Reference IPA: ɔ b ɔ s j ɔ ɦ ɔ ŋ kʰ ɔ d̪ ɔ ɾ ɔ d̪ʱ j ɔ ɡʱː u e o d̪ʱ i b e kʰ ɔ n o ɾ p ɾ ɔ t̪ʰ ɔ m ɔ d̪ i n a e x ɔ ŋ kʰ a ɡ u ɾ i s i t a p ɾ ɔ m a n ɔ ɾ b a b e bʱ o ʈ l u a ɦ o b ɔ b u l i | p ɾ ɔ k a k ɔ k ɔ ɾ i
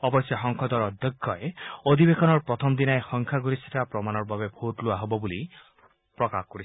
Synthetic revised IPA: ɔ b ɔ s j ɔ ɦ ɔ ŋ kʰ ɔ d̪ ɔ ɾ ɔ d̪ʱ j ɔ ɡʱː ɔ e o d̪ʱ i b e kʰ ɔ n ɔ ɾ p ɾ ɔ t̪ʰ ɔ m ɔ d̪ i n a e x ɔ ŋ kʰ a ɡ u ɾ i s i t a p ɾ ɔ m a n ɔ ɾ b a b e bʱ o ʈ l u a ɦ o b ɔ b u l i | p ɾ ɔ k a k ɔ k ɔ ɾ i